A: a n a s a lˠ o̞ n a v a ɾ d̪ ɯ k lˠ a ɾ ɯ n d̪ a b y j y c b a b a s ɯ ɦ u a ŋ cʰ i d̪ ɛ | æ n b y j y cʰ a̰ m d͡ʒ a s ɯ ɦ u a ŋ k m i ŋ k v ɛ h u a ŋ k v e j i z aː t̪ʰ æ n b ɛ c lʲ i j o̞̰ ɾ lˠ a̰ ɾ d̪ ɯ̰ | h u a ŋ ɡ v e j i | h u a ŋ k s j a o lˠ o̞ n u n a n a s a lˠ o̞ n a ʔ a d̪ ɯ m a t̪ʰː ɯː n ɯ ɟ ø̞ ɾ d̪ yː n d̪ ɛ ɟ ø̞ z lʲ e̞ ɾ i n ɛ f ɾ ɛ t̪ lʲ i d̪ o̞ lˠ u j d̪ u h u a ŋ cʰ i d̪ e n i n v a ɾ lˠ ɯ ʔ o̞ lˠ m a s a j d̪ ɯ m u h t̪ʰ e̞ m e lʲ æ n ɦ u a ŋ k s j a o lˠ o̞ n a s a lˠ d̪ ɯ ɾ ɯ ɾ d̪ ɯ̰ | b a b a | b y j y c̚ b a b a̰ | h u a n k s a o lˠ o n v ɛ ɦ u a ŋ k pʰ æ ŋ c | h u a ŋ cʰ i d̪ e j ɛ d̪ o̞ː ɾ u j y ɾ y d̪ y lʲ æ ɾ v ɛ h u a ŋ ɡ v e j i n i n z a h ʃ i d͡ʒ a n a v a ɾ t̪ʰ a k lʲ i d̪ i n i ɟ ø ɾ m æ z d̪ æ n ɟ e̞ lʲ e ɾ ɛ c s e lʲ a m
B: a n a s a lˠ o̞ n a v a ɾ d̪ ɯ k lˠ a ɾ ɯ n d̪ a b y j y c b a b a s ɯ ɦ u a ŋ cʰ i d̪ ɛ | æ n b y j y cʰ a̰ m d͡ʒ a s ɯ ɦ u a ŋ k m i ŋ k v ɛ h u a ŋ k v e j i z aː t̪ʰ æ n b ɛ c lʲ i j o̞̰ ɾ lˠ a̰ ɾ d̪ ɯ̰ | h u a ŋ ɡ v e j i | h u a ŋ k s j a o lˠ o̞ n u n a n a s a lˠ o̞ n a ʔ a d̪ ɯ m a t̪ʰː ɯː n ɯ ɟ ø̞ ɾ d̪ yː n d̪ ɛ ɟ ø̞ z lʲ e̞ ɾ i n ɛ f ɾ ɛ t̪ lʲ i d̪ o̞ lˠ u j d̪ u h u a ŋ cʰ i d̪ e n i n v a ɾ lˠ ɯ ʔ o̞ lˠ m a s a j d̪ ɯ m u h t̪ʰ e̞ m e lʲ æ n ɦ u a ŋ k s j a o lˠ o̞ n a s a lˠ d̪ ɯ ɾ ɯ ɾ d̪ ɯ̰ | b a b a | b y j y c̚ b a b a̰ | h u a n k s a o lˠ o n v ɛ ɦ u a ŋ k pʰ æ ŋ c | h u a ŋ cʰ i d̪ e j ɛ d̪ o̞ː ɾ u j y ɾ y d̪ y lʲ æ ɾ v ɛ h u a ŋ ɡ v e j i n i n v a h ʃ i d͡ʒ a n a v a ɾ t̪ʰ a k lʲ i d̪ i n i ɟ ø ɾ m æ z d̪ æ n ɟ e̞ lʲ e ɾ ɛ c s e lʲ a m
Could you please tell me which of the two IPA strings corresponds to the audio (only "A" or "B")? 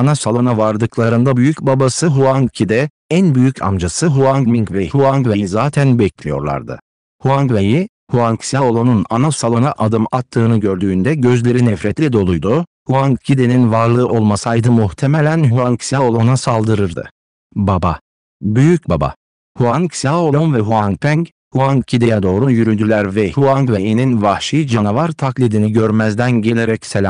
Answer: B